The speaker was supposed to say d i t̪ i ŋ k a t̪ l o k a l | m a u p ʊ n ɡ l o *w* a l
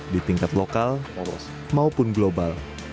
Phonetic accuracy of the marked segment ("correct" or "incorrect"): incorrect